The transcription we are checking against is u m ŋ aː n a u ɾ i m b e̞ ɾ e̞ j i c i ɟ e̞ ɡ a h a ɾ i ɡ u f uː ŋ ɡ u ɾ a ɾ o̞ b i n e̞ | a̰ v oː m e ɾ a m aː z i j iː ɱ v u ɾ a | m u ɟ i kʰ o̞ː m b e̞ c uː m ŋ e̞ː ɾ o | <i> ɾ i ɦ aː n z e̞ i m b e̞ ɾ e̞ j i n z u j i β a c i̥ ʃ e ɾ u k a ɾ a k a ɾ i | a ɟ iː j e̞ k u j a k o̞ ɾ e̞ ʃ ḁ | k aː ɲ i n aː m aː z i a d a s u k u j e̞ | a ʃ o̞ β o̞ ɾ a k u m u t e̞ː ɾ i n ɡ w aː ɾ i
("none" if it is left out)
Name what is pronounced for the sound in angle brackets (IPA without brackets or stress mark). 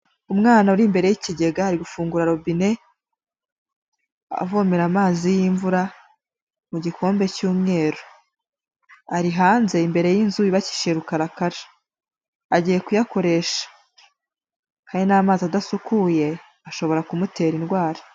a